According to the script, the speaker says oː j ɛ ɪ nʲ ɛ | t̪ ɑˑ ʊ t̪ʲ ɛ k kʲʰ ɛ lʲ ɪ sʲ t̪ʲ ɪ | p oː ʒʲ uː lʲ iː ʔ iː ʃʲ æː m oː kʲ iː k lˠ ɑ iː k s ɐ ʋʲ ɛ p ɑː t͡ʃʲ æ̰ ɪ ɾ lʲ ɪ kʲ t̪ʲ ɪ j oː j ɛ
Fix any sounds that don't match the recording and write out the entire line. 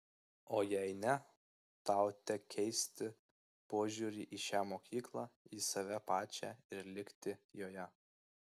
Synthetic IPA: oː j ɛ ɪ nʲ ɛ | t̪ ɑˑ ʊ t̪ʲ ɛ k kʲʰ ɛ ɪ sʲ t̪ʲ ɪ | p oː ʒʲ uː ɾʲ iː ʔ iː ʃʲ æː m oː kʲ iː k lˠ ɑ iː s ɐ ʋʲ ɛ p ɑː t͡ʃʲ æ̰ ɪ ɾ lʲ ɪ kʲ t̪ʲ ɪ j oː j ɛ